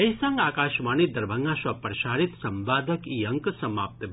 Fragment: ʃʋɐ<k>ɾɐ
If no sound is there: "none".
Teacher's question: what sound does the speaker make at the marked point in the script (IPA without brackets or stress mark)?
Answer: p